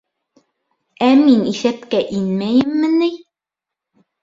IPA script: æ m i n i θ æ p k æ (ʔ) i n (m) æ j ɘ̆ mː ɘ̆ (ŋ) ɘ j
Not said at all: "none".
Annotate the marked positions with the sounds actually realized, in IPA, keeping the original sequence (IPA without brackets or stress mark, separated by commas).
ʔ, m, n